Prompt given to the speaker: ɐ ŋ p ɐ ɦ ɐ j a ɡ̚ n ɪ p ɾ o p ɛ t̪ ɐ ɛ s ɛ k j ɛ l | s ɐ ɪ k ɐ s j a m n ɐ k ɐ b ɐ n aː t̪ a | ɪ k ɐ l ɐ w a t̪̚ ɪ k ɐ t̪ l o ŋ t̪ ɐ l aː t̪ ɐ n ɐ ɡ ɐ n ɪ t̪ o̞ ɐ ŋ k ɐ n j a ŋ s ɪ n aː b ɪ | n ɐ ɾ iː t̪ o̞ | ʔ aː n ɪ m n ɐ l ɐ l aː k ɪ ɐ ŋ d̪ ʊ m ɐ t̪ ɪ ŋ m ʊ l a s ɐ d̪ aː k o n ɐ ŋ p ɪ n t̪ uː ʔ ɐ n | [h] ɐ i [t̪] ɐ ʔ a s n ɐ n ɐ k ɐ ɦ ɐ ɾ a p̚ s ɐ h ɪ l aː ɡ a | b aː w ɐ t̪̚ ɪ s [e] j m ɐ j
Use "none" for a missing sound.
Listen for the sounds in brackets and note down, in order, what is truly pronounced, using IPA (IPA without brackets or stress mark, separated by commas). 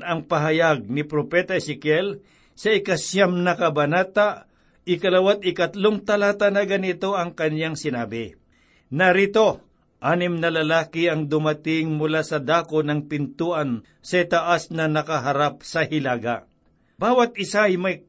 s, t̪, a